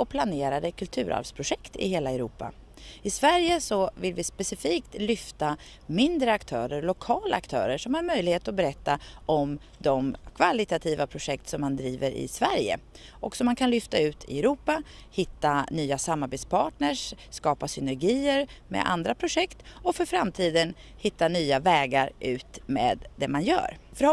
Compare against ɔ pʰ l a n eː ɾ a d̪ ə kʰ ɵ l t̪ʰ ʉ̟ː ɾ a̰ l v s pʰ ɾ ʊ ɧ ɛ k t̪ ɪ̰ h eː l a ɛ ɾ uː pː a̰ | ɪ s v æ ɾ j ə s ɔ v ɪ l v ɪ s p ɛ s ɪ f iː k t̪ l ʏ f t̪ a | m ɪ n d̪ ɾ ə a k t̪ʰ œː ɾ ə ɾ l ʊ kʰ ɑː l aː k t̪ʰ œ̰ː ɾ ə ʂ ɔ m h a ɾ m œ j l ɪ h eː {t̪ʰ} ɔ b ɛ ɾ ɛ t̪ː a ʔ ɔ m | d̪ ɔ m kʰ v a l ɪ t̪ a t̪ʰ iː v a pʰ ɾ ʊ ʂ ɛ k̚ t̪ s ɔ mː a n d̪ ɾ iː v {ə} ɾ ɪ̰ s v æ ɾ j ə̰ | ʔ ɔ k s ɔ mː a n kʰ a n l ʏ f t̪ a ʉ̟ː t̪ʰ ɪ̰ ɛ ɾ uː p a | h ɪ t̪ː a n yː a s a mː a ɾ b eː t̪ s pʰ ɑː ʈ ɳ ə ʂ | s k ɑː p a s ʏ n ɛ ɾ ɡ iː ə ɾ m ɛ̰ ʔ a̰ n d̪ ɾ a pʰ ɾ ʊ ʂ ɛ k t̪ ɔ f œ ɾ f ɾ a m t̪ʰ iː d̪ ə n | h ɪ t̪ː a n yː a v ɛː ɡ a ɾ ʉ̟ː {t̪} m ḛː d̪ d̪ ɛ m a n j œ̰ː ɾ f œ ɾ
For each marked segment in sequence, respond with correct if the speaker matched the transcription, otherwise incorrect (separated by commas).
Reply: incorrect, correct, correct